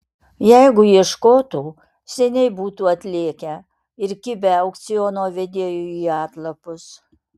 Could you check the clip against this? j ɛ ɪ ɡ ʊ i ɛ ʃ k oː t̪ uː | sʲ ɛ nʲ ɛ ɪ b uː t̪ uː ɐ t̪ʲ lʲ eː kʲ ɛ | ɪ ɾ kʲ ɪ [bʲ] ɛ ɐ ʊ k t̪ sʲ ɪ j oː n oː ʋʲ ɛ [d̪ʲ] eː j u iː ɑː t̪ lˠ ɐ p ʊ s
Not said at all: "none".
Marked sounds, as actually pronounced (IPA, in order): bʲ, d̪ʲ

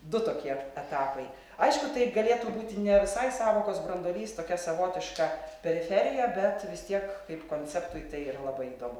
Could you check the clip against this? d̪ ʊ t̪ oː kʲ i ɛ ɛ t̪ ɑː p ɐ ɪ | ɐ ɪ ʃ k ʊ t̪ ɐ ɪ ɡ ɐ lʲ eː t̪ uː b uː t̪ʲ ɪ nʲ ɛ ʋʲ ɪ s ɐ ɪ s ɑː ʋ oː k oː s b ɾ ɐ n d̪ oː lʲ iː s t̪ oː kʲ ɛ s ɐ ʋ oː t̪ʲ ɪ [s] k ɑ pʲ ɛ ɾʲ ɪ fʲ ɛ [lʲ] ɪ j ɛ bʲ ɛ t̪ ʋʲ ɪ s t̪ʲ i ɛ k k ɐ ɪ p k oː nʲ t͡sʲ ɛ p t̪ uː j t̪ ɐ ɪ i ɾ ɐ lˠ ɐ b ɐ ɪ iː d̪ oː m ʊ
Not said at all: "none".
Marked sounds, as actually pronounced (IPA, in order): ʃ, ɾʲ

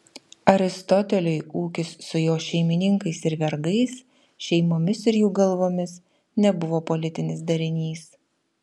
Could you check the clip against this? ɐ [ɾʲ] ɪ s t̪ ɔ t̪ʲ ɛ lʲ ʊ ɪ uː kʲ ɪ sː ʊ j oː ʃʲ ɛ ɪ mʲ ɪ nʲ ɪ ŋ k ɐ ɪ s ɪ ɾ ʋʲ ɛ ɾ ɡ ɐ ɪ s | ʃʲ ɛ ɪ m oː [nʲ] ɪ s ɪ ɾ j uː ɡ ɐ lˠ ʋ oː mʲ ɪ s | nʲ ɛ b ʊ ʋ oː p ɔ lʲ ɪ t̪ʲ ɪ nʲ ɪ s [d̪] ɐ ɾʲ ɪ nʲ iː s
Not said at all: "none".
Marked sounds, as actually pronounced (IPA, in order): ɾʲ, mʲ, d̪

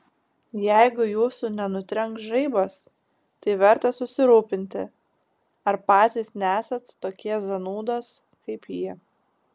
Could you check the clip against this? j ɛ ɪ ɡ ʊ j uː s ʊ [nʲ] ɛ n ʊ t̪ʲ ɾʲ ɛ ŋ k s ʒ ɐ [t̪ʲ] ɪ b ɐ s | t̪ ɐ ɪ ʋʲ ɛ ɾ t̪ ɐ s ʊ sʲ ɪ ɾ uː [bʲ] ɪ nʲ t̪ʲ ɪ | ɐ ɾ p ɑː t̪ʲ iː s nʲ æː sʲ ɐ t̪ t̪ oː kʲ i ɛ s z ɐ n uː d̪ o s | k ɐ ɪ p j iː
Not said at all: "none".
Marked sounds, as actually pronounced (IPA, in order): nʲ, none, pʲ

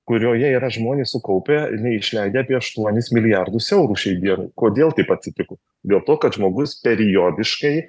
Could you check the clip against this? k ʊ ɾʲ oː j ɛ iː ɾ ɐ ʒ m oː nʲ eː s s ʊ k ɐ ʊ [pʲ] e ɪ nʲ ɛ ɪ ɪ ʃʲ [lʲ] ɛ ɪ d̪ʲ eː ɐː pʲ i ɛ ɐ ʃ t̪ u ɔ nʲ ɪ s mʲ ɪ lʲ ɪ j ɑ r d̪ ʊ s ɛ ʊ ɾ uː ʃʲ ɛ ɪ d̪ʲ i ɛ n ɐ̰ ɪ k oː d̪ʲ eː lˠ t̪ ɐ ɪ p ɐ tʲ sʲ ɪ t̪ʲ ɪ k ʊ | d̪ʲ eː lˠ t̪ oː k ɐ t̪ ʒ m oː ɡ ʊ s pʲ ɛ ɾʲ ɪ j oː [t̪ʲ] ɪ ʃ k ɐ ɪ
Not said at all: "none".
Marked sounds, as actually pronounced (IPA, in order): pʲ, lʲ, d̪ʲ

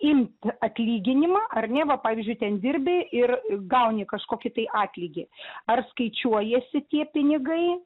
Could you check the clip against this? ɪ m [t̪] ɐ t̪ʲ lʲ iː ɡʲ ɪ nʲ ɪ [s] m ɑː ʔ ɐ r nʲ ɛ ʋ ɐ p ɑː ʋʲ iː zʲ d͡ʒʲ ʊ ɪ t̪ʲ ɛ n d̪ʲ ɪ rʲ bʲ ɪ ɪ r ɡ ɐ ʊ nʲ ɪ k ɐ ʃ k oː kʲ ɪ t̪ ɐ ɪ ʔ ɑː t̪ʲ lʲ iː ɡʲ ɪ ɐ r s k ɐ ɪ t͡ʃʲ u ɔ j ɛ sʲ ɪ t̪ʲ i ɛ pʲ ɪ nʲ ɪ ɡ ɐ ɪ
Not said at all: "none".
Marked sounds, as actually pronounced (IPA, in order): t̪, none

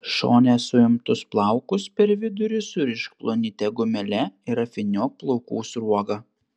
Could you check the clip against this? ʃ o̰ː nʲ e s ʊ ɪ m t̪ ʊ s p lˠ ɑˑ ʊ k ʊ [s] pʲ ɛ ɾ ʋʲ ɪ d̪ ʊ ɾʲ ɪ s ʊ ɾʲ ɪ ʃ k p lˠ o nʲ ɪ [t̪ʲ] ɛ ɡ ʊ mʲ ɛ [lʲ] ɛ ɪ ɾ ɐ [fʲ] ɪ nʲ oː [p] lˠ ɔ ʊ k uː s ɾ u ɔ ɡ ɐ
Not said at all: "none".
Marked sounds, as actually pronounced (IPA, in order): s, t̪ʲ, lʲ, fʲ, p

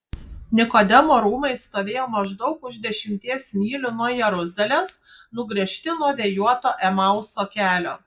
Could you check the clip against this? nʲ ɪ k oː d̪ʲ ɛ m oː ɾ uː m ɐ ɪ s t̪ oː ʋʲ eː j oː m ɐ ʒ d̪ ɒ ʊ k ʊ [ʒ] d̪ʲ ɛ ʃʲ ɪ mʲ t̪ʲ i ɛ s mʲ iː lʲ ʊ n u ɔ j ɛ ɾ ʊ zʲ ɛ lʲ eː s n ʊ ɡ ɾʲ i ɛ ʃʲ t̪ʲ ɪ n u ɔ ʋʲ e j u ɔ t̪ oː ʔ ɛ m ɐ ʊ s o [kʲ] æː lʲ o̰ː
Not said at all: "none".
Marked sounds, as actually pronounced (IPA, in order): ʒ, kʲ

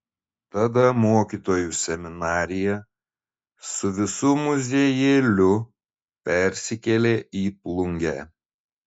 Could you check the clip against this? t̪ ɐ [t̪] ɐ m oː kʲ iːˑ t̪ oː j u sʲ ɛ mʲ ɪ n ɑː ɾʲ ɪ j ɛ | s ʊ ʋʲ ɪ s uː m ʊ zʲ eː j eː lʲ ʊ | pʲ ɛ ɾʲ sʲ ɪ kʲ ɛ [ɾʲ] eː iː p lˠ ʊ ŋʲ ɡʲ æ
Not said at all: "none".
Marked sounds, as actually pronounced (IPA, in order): d̪, lʲ

